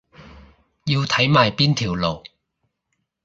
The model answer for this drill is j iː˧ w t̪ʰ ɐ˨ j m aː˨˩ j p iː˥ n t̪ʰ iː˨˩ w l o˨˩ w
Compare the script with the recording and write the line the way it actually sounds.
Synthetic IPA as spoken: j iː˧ w t̪ʰ ɐ˨˥ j m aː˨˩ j p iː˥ n t̪ʰ iː˨˩ w l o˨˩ w